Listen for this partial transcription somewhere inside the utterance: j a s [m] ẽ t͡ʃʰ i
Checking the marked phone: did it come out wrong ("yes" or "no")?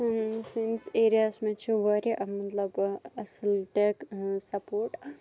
no